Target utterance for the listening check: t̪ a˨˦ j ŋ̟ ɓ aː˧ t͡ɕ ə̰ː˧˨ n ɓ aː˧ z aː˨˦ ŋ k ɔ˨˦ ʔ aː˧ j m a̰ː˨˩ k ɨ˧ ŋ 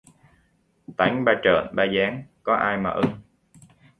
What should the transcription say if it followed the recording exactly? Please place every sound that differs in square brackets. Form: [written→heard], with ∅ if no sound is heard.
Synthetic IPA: t̪ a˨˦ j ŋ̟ ɓ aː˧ t͡ɕ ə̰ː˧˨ n ɓ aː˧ z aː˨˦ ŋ k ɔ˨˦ ʔ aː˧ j m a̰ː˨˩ [k→ʔ] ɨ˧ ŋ